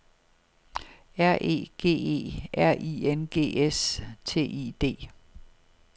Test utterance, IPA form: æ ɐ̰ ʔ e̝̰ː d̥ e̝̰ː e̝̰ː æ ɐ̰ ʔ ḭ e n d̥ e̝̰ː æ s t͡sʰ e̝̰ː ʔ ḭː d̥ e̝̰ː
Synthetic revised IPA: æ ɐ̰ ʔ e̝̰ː ɡ̥ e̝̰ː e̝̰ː æ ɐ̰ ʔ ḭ e n ɡ̥ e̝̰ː e s t͡sʰ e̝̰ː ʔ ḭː d̥ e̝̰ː